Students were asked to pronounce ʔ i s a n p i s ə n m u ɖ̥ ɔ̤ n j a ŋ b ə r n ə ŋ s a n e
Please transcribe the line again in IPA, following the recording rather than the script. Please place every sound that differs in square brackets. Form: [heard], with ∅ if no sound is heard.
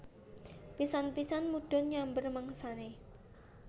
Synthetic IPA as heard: [p] i s a n p i s [a] n m u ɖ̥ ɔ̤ n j a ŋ b ə r [m] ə ŋ s a n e